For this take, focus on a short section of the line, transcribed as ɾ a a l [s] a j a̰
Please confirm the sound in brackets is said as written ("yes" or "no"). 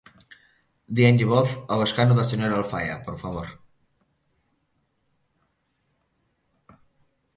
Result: no